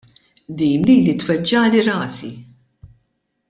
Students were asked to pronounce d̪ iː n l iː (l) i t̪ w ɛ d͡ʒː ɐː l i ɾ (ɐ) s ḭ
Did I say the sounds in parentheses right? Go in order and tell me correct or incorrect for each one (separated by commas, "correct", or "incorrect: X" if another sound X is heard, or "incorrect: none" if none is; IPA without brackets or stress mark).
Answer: correct, incorrect: ɐː